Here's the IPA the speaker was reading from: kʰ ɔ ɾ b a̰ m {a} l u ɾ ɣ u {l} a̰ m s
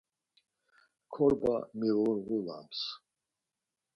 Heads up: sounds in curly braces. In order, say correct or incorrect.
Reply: incorrect: i, correct

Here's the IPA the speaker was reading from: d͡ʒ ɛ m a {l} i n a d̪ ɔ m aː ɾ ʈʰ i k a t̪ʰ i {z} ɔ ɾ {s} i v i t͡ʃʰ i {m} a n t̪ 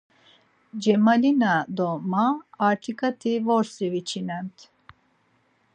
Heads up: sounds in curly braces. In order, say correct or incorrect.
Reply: correct, incorrect: v, correct, incorrect: n

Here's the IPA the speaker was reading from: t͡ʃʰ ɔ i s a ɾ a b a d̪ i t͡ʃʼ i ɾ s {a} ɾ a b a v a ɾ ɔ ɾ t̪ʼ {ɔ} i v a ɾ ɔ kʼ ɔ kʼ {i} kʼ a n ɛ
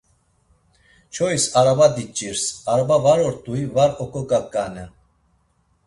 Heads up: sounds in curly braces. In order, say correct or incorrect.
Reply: correct, incorrect: u, incorrect: a

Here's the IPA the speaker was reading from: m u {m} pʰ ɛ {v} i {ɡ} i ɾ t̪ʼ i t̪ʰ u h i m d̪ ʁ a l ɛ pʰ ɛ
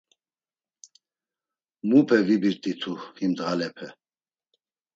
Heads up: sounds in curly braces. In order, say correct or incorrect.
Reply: incorrect: none, correct, incorrect: b

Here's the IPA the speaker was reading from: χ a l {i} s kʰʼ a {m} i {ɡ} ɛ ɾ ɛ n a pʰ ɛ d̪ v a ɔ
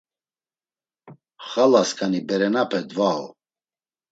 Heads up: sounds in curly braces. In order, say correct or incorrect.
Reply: incorrect: a, incorrect: n, incorrect: b

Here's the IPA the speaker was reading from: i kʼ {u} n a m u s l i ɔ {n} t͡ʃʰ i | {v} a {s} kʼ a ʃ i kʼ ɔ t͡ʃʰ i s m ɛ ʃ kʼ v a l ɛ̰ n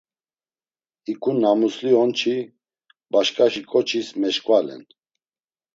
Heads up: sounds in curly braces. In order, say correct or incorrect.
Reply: correct, correct, incorrect: b, incorrect: ʃ

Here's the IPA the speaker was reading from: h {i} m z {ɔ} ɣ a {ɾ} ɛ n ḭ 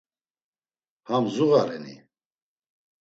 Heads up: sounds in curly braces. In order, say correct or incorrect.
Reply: incorrect: a, incorrect: u, correct

